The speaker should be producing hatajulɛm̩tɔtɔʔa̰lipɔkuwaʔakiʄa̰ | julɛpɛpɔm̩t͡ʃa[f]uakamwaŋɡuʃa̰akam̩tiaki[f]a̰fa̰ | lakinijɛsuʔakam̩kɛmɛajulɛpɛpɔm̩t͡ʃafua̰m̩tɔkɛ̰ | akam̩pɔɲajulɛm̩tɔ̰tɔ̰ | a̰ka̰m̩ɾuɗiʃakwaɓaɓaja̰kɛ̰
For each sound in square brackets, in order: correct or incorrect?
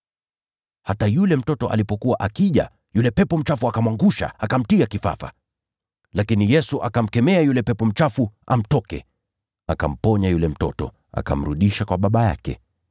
correct, correct

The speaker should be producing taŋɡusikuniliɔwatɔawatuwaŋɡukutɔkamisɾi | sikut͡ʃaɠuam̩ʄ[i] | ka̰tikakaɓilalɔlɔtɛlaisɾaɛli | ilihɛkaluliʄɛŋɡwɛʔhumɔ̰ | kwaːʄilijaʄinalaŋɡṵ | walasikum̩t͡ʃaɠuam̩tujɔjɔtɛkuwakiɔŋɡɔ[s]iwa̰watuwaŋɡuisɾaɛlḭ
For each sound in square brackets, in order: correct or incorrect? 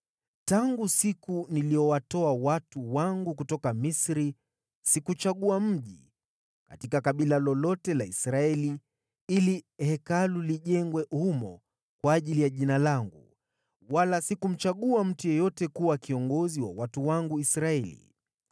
correct, incorrect

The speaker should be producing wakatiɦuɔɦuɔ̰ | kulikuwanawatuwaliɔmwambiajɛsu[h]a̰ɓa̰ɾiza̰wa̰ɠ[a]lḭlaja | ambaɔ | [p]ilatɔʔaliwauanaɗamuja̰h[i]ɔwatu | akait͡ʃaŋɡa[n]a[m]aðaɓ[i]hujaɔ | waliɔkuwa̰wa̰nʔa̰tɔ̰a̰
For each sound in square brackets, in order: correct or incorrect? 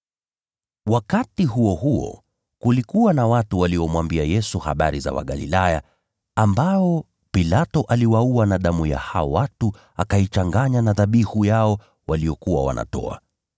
correct, correct, correct, incorrect, incorrect, incorrect, correct

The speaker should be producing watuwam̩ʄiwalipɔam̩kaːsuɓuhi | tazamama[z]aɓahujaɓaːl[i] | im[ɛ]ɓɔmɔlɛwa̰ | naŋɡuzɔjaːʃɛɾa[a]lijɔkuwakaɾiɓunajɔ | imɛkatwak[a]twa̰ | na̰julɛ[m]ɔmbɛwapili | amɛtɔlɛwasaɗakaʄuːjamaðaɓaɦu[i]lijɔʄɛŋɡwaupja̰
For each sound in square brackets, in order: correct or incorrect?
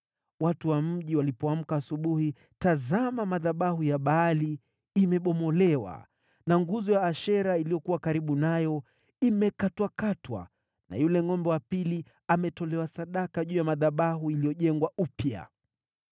incorrect, correct, correct, incorrect, correct, incorrect, correct

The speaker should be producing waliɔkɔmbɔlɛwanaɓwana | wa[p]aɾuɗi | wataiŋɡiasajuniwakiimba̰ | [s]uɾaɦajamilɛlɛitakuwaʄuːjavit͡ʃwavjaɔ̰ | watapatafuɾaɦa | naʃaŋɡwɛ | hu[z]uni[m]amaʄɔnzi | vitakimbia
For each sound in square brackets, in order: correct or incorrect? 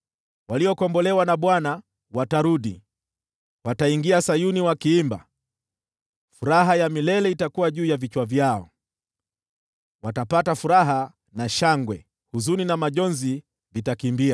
incorrect, incorrect, correct, incorrect

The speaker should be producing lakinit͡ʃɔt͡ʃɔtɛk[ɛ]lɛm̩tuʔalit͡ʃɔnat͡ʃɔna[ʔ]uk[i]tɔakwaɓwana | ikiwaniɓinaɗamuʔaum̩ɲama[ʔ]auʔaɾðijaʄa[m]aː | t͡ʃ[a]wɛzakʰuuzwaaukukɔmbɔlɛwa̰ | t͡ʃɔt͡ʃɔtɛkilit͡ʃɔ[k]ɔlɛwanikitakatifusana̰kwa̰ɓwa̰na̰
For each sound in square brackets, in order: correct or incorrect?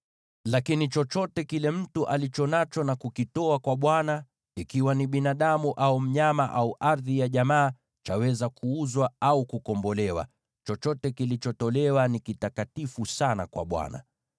incorrect, incorrect, correct, correct, correct, correct, incorrect

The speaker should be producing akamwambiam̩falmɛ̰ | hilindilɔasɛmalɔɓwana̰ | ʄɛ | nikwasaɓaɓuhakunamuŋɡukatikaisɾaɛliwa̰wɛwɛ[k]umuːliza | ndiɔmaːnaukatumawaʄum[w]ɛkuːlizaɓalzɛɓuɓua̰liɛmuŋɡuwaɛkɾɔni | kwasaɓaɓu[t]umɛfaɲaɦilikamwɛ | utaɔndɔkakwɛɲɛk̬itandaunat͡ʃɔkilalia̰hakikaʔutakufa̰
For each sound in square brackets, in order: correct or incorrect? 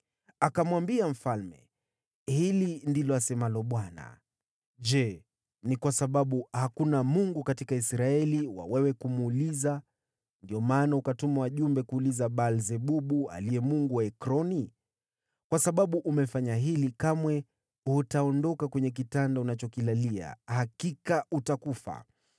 correct, incorrect, incorrect

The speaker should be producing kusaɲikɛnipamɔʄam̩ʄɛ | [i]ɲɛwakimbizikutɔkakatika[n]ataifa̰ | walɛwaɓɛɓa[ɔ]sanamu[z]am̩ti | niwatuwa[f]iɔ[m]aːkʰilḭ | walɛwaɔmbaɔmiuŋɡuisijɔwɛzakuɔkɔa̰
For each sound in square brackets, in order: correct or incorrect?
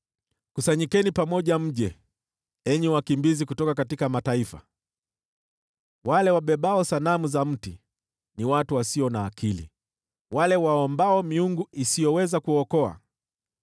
incorrect, incorrect, correct, correct, incorrect, incorrect

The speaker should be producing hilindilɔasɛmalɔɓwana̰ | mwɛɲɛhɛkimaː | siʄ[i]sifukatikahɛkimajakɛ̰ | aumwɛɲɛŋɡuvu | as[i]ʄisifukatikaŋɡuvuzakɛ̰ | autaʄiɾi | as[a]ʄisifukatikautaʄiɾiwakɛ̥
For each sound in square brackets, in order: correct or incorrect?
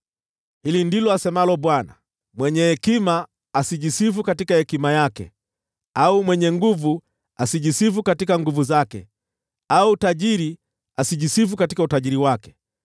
correct, correct, incorrect

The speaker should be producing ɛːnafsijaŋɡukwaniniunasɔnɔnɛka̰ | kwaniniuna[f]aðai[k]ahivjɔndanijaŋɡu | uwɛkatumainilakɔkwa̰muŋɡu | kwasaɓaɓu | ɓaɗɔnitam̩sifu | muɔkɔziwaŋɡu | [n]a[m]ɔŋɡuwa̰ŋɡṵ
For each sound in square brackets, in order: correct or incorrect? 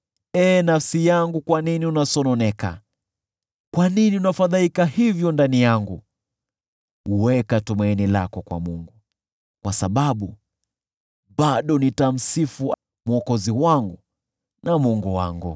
correct, correct, correct, correct

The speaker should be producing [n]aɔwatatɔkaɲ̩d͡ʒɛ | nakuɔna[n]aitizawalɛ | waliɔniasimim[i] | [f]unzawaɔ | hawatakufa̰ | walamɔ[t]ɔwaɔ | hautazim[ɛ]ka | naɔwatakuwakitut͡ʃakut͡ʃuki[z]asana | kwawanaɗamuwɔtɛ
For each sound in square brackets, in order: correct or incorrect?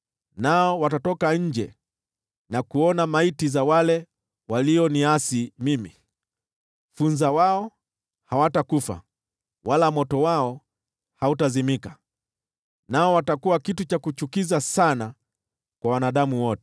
correct, incorrect, correct, correct, correct, incorrect, correct

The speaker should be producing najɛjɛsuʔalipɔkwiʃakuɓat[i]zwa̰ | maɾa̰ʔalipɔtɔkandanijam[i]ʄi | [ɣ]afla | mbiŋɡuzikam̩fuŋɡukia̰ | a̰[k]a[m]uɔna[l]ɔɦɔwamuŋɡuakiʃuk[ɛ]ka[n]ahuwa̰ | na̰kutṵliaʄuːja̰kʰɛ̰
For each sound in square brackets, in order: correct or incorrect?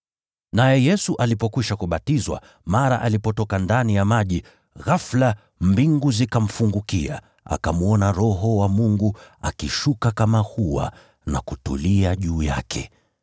correct, incorrect, correct, correct, correct, incorrect, incorrect, incorrect

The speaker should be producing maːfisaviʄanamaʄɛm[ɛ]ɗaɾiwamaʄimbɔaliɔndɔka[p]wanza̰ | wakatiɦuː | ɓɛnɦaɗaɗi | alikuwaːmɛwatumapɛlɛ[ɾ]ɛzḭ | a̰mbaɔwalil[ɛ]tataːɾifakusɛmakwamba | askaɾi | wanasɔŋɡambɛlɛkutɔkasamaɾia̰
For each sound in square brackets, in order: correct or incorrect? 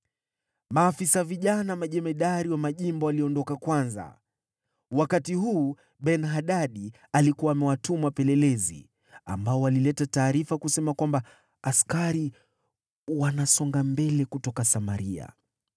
correct, incorrect, incorrect, correct

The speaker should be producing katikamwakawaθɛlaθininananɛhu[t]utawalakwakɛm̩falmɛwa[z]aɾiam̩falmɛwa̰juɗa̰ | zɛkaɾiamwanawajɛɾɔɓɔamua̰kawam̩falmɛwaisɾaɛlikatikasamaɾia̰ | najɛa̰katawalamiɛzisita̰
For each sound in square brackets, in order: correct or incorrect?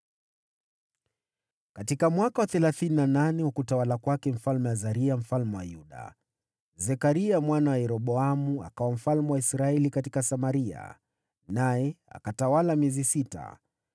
incorrect, correct

